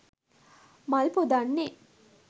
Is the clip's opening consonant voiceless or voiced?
voiced